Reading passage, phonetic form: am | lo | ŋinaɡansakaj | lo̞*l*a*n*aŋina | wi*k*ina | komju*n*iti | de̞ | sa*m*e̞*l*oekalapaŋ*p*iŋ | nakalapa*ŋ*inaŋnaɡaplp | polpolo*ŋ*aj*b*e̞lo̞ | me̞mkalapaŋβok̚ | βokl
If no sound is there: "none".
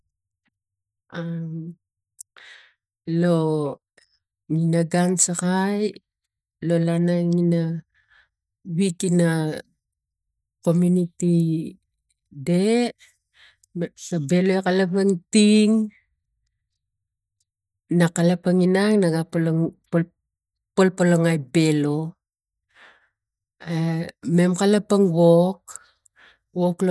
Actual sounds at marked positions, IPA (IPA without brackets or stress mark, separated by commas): l, n, k, n, b, l, t, ŋ, ŋ, b